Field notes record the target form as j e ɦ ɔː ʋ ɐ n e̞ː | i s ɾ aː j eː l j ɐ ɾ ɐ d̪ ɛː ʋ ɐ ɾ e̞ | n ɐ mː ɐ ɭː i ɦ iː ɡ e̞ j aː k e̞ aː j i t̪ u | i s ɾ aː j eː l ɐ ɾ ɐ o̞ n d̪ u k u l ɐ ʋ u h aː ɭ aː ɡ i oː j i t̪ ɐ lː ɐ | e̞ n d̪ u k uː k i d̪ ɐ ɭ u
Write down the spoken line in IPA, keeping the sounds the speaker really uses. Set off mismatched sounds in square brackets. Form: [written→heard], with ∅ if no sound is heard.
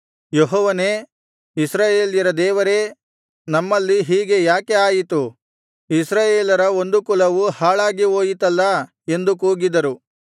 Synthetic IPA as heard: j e ɦ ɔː ʋ ɐ n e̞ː | i s ɾ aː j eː l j ɐ ɾ ɐ d̪ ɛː ʋ ɐ ɾ e̞ | n ɐ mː ɐ [ɭː→lː] i ɦ iː ɡ e̞ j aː k e̞ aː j i t̪ u | i s ɾ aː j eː l ɐ ɾ ɐ o̞ n d̪ u k u l ɐ ʋ u h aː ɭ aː ɡ i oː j i t̪ ɐ lː ɐ | e̞ n d̪ u k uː [k→ɡ] i d̪ ɐ [ɭ→ɾ] u